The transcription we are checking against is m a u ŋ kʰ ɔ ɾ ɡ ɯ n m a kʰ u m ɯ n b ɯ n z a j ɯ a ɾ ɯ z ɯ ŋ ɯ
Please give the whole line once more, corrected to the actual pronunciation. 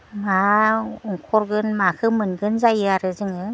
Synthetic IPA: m a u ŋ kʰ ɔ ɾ ɡ ɯ n m a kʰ ɯ m ɯ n ɡ ɯ n z a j ɯ a ɾ ɯ z ɯ ŋ ɯ